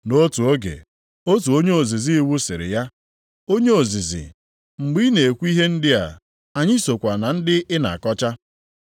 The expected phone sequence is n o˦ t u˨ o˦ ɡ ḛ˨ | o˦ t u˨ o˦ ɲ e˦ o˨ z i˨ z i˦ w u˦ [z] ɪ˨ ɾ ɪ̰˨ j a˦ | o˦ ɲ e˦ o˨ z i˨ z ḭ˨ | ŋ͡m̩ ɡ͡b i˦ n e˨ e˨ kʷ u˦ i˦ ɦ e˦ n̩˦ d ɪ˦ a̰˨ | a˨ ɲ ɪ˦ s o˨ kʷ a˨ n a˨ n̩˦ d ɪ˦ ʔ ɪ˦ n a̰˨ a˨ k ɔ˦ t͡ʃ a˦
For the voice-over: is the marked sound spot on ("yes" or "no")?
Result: no